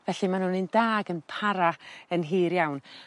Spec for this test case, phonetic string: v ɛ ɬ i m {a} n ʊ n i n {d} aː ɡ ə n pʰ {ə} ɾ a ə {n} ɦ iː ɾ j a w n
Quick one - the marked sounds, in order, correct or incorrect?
correct, correct, incorrect, correct

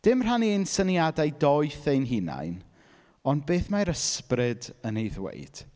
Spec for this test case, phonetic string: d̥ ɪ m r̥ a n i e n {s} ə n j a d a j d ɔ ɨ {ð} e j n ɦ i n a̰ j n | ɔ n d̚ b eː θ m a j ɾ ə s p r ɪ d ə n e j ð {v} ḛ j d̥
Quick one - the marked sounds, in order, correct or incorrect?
correct, incorrect, incorrect

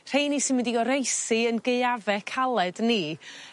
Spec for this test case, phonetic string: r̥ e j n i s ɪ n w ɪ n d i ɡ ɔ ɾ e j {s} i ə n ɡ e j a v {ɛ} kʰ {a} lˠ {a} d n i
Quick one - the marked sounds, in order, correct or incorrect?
correct, correct, correct, incorrect

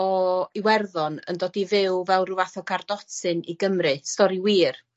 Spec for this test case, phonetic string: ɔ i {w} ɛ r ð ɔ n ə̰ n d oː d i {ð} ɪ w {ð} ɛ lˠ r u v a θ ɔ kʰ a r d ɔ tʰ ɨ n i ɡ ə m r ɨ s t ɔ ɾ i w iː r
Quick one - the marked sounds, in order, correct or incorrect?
correct, incorrect, incorrect

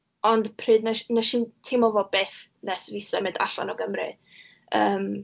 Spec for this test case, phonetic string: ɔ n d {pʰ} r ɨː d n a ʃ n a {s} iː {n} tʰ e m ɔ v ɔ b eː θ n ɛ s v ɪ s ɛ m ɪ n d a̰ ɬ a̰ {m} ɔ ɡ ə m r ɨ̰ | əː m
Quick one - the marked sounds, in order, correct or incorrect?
correct, incorrect, correct, incorrect

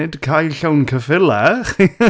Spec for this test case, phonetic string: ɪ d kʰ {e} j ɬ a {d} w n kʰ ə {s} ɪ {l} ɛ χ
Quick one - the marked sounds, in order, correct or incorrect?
incorrect, incorrect, incorrect, correct

